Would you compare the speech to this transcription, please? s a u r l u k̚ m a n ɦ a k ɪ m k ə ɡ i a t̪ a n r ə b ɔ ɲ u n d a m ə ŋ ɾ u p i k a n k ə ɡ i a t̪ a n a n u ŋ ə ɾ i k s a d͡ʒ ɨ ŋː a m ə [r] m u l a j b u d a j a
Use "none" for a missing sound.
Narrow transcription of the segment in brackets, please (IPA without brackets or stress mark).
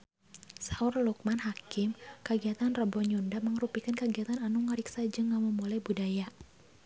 none